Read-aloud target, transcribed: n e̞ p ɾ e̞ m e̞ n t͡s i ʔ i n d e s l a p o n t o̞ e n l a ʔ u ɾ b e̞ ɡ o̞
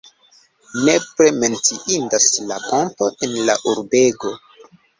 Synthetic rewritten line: n e̞ p ɾ e̞ m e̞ n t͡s i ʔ i n d a s l a p o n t o̞ e n l a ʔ u ɾ b e̞ ɡ o̞